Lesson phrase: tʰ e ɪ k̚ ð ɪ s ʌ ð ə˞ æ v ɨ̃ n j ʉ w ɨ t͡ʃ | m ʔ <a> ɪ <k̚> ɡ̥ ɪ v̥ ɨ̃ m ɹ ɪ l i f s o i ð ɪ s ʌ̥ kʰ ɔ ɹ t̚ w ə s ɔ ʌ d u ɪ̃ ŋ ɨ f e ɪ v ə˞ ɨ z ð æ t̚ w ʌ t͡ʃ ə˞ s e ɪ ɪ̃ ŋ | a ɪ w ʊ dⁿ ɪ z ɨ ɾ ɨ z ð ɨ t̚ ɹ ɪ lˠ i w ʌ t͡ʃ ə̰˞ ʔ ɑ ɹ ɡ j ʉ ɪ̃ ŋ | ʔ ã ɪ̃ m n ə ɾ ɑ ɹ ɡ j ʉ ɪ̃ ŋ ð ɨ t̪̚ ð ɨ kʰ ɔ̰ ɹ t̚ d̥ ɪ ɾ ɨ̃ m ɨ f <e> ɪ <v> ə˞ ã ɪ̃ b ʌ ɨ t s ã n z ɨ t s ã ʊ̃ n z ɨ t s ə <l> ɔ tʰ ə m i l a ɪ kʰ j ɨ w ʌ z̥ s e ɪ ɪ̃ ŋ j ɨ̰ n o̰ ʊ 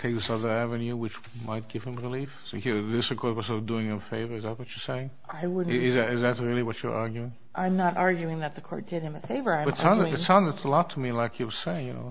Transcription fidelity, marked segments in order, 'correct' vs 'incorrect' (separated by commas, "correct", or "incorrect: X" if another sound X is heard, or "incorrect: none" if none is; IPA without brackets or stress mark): correct, incorrect: t̚, correct, correct, correct